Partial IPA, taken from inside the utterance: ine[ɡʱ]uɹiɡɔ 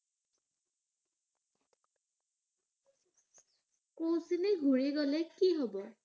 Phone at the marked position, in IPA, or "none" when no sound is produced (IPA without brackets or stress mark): ɡʱ